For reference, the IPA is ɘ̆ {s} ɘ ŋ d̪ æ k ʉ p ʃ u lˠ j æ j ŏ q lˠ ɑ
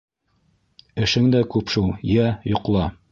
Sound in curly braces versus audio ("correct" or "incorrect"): incorrect